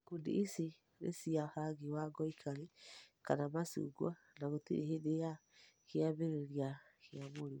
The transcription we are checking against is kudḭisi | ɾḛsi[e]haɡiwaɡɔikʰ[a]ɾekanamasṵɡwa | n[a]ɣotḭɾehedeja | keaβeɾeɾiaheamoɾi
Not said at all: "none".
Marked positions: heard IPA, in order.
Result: a, a, a

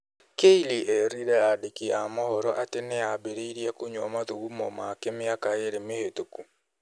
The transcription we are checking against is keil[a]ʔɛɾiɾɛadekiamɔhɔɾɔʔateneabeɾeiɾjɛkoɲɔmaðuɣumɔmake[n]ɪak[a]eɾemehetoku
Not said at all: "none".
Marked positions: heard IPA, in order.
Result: i, m, a

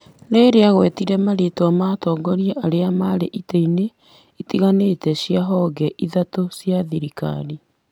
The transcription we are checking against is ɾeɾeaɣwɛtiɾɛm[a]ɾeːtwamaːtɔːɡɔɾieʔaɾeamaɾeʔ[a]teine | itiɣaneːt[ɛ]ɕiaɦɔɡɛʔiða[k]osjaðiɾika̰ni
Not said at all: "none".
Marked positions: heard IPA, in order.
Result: a, i, ɛ, t

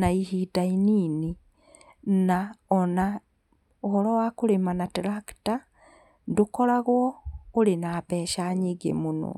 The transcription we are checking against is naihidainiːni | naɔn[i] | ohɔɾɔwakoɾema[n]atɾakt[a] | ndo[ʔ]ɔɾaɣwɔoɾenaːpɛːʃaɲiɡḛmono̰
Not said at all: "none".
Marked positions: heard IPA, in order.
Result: a, n, a, k

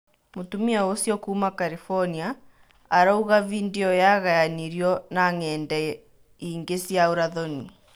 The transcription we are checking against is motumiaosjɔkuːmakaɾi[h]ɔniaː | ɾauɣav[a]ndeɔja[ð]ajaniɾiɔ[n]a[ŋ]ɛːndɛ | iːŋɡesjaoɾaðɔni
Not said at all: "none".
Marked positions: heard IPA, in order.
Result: f, i, ɣ, n, ŋ

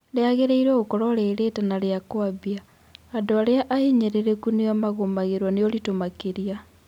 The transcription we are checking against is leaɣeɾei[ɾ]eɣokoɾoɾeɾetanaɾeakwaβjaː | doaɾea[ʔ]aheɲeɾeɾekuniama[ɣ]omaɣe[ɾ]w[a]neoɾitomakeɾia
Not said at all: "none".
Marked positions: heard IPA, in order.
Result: ɾ, ʔ, ɣ, ɾ, a

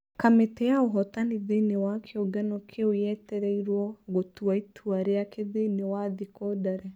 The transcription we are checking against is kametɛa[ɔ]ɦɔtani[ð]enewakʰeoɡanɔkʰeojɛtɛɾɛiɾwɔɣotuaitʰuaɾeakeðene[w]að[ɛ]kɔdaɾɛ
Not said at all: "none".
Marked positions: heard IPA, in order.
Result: o, ð, w, i

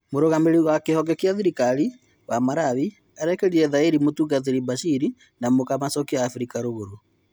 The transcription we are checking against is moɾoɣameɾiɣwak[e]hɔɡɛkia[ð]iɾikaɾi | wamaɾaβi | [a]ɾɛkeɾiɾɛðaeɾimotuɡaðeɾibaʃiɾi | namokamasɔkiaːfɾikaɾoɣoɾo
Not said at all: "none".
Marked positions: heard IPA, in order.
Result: e, ð, a

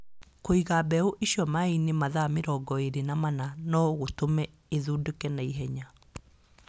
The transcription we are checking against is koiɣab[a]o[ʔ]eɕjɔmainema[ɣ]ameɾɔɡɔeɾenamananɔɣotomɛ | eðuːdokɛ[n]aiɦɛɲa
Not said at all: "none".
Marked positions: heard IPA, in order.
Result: ɛ, ʔ, ð, n

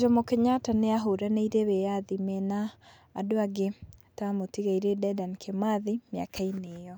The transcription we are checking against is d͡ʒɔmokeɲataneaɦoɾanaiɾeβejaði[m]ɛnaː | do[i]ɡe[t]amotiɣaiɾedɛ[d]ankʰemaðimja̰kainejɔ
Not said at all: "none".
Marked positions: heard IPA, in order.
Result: m, a, t, d

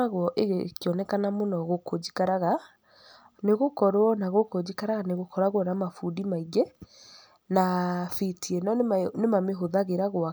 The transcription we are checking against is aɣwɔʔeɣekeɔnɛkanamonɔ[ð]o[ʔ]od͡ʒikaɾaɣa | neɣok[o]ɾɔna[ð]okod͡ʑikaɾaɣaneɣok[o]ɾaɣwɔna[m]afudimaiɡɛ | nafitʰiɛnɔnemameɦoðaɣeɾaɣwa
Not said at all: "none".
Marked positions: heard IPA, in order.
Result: ɣ, k, ɔ, ɣ, ɔ, m

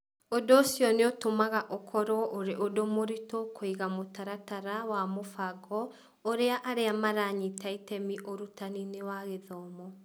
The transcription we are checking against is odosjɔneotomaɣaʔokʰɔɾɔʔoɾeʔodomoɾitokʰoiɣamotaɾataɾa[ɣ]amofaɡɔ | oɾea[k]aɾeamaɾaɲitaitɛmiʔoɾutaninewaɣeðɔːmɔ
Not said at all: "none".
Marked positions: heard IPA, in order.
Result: w, ʔ

